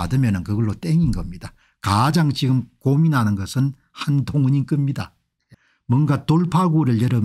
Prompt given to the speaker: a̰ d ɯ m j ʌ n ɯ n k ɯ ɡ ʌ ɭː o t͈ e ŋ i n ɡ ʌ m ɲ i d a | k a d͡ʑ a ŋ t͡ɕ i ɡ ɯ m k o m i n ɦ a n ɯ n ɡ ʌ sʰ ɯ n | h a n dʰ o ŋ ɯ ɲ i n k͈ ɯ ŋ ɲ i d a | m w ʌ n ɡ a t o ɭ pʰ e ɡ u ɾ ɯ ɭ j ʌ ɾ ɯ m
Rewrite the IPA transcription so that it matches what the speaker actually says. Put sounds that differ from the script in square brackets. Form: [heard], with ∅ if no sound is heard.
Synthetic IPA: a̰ d ɯ m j ʌ n ɯ n k ɯ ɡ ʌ ɭː o t͈ e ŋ i n ɡ ʌ m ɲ i d a | k a d͡ʑ a ŋ t͡ɕ i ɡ ɯ m k o m i n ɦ a n ɯ n ɡ ʌ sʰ ɯ n | h a n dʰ o ŋ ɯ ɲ i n k͈ ɯ [m] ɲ i d a | m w ʌ n ɡ a t o ɭ pʰ [a] ɡ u ɾ ɯ ɭ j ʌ ɾ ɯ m